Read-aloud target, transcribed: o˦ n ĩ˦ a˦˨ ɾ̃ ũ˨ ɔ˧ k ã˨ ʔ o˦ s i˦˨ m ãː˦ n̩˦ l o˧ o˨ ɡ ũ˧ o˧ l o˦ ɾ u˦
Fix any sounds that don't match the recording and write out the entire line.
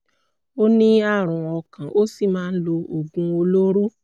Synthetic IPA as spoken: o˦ n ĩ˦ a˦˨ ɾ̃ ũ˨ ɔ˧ k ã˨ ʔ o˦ s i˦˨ m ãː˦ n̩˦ l o˧ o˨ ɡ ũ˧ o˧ l o˦ ɾ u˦

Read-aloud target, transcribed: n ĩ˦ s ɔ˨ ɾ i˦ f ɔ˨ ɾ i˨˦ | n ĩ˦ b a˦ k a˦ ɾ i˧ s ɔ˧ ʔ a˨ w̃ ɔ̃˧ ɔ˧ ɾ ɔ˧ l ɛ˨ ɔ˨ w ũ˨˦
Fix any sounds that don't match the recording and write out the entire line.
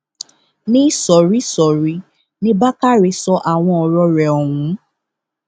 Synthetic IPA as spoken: n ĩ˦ s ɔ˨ ɾ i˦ s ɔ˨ ɾ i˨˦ | n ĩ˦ b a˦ k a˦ ɾ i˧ s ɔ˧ ʔ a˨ w̃ ɔ̃˧ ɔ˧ ɾ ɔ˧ ɾ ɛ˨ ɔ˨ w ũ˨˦

